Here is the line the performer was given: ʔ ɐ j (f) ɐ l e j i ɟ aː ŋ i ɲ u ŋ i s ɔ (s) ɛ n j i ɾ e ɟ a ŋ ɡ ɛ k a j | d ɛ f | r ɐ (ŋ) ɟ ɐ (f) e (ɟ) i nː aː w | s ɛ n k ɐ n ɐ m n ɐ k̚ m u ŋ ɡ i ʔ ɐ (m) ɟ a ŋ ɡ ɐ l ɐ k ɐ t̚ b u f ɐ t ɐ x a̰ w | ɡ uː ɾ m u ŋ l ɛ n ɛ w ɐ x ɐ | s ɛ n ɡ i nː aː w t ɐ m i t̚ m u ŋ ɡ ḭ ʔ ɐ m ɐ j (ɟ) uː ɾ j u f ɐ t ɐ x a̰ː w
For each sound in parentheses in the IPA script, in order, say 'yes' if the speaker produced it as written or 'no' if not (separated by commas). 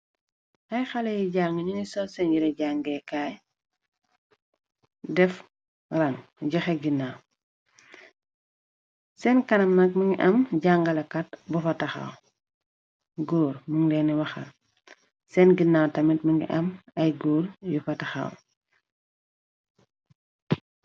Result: no, yes, yes, no, no, yes, no